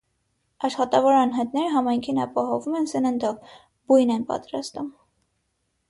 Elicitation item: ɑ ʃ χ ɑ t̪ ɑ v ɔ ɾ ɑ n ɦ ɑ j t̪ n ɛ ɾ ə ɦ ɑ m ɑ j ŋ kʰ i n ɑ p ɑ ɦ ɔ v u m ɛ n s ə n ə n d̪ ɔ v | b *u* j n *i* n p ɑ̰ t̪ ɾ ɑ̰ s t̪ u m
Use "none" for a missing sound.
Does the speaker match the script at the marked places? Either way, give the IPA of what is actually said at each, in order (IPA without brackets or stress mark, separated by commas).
u, ɛ